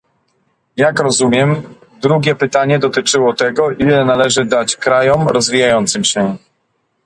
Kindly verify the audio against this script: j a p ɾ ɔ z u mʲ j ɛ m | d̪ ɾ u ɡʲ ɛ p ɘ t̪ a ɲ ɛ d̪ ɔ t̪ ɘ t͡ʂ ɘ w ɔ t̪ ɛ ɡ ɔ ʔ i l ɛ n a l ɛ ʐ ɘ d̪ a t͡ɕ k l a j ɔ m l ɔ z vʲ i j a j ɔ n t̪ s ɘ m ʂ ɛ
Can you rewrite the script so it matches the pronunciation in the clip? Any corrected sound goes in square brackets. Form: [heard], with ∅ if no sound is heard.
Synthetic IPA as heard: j a [k] ɾ ɔ z u mʲ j ɛ m | d̪ ɾ u ɡʲ ɛ p ɘ t̪ a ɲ ɛ d̪ ɔ t̪ ɘ t͡ʂ ɘ w ɔ t̪ ɛ ɡ ɔ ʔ i l ɛ n a l ɛ ʐ ɘ d̪ a t͡ɕ k [ɾ] a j ɔ m [ɾ] ɔ z vʲ i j a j ɔ n t̪ s ɘ m [ɕ] ɛ